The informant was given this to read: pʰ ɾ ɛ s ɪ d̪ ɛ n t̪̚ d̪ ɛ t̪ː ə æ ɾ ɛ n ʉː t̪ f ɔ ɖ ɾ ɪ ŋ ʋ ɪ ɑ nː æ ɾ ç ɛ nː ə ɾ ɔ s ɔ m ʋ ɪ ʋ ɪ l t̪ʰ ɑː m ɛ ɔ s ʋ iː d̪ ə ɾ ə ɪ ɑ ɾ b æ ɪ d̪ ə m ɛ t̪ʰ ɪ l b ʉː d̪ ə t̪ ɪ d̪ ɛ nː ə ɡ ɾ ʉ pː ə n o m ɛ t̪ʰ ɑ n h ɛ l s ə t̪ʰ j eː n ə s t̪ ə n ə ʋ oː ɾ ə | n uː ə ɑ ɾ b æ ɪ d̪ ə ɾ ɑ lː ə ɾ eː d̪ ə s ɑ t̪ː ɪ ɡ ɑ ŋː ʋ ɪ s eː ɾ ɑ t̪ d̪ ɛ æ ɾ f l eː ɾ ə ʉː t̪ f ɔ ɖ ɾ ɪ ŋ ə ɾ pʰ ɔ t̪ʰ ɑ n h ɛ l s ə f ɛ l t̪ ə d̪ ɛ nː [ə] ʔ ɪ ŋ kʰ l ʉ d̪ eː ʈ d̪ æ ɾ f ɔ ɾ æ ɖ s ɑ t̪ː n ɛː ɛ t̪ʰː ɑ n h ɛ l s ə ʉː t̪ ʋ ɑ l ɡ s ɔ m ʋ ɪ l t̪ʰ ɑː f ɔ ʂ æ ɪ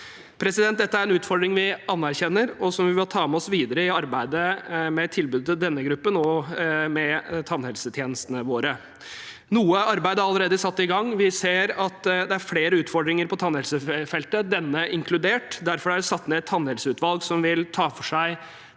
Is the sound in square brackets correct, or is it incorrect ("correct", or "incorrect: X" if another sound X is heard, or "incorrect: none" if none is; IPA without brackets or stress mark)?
correct